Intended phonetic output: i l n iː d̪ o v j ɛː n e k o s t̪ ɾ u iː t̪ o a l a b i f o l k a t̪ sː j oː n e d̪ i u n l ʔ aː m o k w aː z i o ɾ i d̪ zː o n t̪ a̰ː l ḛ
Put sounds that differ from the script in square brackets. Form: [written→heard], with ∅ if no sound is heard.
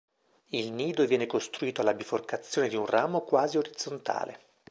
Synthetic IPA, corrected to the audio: i l n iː d̪ o v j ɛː n e k o s t̪ ɾ u iː t̪ o a l a b i f o [l→r] k a t̪ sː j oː n e d̪ i u n [l→r] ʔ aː m o k w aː z i o ɾ i d̪ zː o n t̪ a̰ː l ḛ